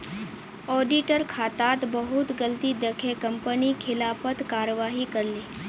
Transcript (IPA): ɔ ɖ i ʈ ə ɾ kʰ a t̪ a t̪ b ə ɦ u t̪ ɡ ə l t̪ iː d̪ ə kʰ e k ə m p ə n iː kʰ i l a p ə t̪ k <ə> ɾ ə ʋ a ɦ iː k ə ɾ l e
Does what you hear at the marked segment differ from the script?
yes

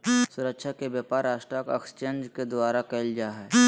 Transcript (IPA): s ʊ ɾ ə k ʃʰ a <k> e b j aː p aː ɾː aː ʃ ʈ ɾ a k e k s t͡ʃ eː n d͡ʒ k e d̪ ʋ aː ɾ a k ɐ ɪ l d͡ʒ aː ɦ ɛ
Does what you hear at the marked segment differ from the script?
no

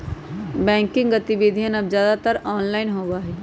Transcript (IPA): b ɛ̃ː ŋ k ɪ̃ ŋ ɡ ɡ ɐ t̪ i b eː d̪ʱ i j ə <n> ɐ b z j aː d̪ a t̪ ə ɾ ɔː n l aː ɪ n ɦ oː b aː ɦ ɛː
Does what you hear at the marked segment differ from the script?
no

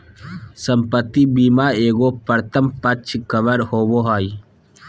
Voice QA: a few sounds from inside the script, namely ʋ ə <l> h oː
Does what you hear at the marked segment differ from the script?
yes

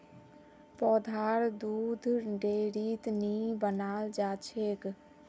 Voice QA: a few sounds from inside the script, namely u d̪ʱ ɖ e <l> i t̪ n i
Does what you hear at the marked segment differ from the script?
yes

